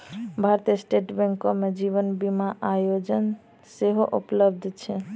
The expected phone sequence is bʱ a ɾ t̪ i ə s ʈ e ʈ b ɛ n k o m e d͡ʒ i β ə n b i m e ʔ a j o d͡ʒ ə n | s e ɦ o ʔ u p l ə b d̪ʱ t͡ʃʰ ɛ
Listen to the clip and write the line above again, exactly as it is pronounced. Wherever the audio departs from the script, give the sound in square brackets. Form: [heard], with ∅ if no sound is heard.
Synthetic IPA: bʱ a ɾ t̪ i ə s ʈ e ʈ b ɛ [ŋ] k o m e d͡ʒ i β ə n b i m [a] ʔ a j o d͡ʒ ə n | s e ɦ o ʔ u p l ə b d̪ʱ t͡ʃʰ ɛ

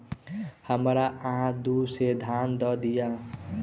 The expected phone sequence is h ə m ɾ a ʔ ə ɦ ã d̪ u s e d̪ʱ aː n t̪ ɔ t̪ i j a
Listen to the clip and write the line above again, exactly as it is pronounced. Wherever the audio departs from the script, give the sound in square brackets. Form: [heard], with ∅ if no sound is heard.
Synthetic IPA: h ə m ɾ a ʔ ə ɦ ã d̪ u s e d̪ʱ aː n [d̪] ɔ [d̪] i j a

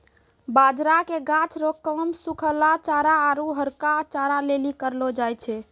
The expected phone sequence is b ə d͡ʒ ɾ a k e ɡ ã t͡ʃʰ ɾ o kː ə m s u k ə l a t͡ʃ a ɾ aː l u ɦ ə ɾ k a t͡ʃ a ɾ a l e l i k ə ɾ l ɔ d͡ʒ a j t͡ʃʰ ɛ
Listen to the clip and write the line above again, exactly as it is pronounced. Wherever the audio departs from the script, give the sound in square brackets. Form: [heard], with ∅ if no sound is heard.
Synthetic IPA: b [a] d͡ʒ ɾ a k e ɡ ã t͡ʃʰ ɾ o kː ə m s u [kʰ] ə l a t͡ʃ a ɾ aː [ɾ] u ɦ ə ɾ k a t͡ʃ a ɾ a l e l i k ə ɾ l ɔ d͡ʒ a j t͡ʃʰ ɛ

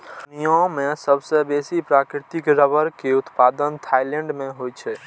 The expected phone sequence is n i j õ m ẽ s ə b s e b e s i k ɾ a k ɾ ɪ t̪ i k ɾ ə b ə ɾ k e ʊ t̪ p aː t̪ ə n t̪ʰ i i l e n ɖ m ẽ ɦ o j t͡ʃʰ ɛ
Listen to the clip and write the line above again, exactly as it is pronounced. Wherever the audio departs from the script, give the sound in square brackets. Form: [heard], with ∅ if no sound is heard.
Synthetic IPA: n i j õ m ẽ s ə b s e b e s i [p] ɾ a k ɾ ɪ t̪ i k ɾ ə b ə ɾ k e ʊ t̪ p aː [d̪] ə n t̪ʰ [a] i l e [ɳ] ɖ m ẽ ɦ o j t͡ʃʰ ɛ

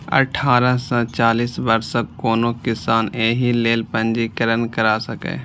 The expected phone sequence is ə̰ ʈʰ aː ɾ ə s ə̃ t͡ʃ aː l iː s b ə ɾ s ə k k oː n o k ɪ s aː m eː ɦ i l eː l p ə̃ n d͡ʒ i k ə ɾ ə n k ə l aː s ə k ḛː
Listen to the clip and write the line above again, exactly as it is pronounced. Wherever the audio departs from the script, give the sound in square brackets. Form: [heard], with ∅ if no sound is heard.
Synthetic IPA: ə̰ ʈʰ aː ɾ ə s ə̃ t͡ʃ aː l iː s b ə ɾ s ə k k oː n o k ɪ s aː [n] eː ɦ i l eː l p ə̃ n d͡ʒ i k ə ɾ ə n k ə [ɾ] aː s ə k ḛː

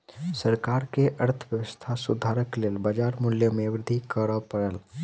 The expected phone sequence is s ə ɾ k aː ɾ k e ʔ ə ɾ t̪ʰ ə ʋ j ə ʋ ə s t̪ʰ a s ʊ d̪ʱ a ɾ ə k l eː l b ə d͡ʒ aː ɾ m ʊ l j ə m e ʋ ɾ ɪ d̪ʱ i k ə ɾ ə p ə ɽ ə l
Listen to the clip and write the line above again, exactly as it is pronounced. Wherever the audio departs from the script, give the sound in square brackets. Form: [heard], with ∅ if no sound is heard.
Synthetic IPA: s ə ɾ k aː ɾ k e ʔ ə ɾ t̪ʰ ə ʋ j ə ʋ ə s t̪ʰ a s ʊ d̪ʱ a ɾ ə k l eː l b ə d͡ʒ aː ɾ m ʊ l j ə m e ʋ ɾ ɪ d̪ʱ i k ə ɾ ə p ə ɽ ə l

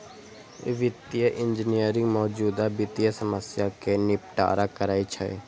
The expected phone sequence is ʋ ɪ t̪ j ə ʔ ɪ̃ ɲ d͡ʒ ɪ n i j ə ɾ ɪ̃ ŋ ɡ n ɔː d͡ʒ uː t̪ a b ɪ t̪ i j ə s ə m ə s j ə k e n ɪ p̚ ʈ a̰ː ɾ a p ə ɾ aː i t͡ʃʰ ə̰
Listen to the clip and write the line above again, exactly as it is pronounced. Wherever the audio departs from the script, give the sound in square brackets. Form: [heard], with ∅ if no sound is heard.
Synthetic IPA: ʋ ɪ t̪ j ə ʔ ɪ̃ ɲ d͡ʒ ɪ n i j ə ɾ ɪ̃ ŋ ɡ [m] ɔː d͡ʒ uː [d̪] a b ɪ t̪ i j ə s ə m ə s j [a] k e n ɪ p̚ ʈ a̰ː ɾ a [k] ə ɾ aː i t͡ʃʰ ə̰

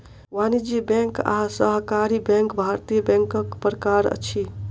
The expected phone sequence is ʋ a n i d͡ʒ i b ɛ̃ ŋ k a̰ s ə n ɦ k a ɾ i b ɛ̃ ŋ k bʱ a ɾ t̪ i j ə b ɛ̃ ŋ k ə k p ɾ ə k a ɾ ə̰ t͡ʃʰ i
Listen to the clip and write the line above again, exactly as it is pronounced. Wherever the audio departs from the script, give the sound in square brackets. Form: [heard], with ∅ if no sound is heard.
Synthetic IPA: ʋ a n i d͡ʒ i b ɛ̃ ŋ k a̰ s ə [∅] ɦ k a ɾ i b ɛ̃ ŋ k bʱ a ɾ t̪ i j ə b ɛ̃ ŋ k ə k p ɾ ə k a ɾ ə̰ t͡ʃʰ i

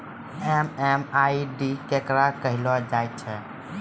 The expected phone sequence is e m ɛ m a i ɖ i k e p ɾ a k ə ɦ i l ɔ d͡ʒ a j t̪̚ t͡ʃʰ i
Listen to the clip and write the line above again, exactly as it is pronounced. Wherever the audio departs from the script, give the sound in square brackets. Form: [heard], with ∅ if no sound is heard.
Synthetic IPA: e m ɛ m a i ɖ i k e [k] ɾ a k ə ɦ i l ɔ d͡ʒ a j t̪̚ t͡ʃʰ [ɛ]

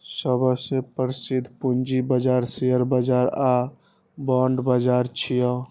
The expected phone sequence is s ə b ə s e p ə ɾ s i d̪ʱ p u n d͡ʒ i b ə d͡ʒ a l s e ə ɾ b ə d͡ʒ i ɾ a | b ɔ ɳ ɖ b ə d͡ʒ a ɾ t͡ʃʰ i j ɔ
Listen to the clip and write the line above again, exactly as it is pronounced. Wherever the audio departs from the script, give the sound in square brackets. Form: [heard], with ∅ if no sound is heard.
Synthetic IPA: s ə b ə s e p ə ɾ s i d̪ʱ p u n d͡ʒ i b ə d͡ʒ a [ɾ] s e ə ɾ b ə d͡ʒ [a] ɾ a | b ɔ ɳ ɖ b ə d͡ʒ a ɾ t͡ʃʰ i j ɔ

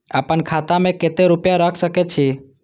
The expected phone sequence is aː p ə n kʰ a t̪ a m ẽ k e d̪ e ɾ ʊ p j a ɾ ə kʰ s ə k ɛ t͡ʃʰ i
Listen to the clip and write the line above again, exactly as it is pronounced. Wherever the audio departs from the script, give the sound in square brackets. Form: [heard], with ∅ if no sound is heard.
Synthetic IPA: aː p ə n kʰ a t̪ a m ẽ k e [t̪] e ɾ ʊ p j a ɾ ə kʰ s ə k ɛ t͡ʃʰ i

